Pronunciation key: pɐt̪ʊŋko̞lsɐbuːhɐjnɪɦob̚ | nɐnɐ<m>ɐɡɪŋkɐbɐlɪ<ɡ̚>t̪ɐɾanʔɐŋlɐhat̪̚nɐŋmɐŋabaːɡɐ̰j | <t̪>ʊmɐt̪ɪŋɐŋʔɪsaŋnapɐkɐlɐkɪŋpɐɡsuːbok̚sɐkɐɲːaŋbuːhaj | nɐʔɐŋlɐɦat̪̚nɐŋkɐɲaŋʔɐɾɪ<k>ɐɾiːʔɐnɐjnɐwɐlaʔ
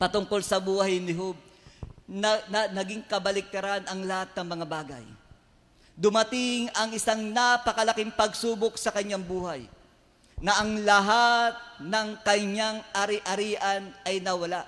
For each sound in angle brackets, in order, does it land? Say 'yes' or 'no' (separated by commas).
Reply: no, no, no, no